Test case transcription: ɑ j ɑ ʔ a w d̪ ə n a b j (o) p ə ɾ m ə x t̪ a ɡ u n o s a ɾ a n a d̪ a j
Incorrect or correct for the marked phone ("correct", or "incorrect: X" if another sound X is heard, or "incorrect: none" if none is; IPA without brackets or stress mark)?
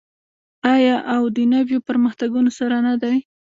correct